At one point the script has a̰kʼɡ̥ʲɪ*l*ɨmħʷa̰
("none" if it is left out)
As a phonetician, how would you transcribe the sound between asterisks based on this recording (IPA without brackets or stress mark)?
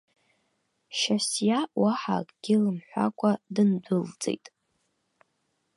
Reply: l